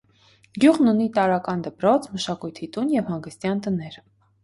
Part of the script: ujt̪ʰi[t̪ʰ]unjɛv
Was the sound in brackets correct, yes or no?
no